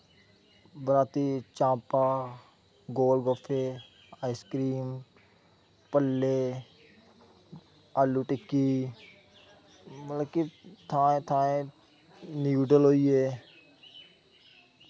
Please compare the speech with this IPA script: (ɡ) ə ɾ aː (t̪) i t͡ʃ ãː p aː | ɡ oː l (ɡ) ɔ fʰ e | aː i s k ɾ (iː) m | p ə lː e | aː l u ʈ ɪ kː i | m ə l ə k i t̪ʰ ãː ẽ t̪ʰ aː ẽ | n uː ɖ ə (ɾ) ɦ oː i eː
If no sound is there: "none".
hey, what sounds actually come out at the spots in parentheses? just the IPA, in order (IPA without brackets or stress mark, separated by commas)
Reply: b, t̪, ɡ, iː, l